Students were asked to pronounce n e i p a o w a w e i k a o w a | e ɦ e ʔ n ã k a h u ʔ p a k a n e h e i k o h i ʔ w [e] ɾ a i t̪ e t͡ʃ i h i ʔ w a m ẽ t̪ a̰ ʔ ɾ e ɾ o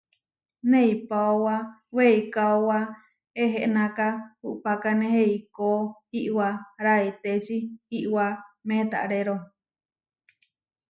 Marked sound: incorrect: a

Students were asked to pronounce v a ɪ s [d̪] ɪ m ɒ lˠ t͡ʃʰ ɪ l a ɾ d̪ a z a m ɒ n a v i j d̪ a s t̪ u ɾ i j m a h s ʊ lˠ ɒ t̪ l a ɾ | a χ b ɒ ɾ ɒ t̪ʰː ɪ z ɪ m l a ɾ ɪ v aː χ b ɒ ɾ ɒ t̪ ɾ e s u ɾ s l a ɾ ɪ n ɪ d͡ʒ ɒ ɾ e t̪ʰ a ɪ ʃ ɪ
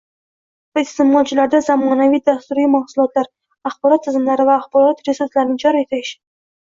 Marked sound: incorrect: t̪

